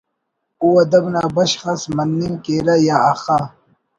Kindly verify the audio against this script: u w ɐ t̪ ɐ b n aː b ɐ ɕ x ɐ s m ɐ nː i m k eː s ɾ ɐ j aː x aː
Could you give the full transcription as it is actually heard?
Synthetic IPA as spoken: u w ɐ d̪ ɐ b n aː b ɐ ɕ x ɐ s m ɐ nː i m k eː ɾ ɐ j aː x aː